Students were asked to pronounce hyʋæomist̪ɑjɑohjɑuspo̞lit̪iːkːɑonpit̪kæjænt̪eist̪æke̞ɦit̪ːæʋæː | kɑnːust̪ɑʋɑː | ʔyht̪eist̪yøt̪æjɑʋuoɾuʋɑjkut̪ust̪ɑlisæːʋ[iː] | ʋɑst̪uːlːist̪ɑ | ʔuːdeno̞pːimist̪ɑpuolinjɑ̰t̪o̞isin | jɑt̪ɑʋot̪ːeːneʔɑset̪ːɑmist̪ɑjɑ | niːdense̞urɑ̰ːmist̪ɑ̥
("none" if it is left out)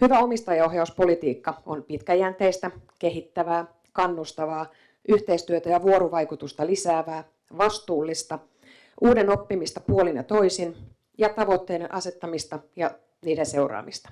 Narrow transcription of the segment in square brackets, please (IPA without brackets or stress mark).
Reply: æː